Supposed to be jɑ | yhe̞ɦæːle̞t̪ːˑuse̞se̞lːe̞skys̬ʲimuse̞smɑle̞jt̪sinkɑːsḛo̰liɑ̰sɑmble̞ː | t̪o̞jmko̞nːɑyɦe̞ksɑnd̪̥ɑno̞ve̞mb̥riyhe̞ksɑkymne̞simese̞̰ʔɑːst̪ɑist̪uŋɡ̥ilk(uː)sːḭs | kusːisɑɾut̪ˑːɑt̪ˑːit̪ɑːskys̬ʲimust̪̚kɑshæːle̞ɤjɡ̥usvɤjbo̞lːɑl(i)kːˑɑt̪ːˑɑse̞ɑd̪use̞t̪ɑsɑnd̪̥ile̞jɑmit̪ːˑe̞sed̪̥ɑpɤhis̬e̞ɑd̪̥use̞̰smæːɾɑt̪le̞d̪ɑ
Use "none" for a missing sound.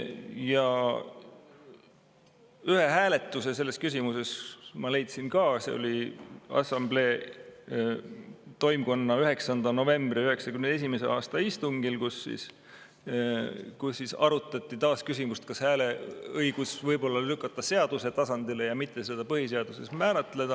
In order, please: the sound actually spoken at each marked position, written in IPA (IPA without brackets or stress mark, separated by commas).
u, y